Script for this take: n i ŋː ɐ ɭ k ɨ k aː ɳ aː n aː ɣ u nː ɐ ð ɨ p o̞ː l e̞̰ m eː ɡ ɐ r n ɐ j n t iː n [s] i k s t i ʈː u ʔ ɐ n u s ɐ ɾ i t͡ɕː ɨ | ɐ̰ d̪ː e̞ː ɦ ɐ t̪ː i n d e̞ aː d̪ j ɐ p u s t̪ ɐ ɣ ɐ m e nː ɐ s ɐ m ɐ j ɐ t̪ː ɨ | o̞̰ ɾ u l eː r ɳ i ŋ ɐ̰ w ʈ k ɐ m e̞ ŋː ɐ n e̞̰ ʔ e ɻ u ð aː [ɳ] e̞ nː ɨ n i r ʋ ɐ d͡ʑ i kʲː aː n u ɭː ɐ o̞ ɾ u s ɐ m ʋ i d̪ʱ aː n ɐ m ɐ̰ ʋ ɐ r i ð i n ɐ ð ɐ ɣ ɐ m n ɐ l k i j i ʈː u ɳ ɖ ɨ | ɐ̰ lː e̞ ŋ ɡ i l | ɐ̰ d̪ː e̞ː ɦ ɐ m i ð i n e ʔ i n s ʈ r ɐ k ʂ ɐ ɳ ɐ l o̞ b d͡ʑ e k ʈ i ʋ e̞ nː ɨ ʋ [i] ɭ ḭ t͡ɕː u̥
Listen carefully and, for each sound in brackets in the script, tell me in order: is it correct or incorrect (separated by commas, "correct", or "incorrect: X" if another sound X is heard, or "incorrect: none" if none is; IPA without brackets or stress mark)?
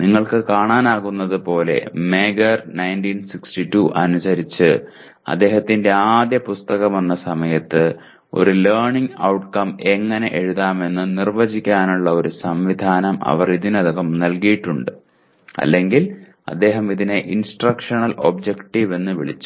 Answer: correct, incorrect: m, correct